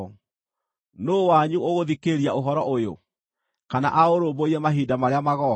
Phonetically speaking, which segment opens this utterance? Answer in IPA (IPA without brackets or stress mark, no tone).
n